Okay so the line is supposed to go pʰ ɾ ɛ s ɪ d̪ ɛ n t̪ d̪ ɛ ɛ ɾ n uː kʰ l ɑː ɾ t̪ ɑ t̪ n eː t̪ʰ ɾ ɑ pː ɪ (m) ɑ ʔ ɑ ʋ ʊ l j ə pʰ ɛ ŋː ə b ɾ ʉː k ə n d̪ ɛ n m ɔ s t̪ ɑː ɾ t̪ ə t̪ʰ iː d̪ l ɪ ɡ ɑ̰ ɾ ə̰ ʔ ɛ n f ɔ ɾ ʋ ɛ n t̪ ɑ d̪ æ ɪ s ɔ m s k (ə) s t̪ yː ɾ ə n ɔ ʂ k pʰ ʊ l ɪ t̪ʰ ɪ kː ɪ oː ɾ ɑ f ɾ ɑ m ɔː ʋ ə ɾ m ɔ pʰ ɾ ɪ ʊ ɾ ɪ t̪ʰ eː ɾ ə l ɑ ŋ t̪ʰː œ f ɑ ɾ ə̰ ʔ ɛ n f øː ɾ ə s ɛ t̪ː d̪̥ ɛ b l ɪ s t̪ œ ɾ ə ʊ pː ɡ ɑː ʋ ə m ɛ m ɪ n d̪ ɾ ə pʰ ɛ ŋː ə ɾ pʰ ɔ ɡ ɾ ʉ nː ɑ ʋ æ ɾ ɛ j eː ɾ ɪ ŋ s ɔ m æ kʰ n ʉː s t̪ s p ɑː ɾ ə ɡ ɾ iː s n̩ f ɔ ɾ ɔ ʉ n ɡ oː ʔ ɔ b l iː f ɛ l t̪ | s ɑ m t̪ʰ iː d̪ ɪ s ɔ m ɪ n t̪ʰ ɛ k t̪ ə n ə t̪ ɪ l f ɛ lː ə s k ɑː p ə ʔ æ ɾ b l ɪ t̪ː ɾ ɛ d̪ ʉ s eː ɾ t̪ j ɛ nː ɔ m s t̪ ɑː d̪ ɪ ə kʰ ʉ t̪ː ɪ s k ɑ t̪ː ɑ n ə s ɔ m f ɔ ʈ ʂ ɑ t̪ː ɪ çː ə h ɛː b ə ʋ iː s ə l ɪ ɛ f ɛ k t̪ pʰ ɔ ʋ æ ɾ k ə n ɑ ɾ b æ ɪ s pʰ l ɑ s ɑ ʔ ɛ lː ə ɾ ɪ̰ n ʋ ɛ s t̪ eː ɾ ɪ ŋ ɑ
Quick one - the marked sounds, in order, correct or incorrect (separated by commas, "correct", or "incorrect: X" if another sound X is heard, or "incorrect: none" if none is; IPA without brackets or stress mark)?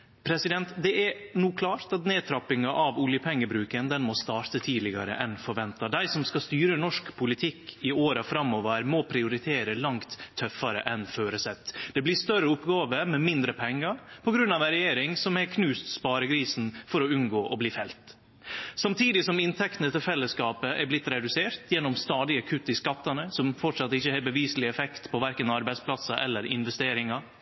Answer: incorrect: ŋ, incorrect: ɑ